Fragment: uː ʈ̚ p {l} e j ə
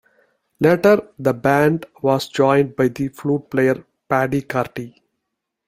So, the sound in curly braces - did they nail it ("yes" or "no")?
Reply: yes